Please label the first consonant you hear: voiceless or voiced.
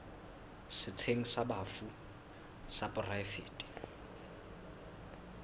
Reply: voiceless